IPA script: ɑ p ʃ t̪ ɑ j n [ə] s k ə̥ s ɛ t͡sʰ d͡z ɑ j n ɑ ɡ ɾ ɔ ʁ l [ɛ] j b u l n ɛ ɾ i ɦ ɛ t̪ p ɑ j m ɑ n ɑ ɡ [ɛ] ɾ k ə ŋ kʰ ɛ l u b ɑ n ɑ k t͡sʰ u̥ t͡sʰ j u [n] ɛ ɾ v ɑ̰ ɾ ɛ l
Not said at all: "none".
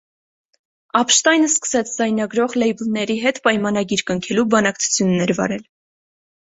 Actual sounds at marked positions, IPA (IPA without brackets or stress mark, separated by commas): ə, ɛ, i, nː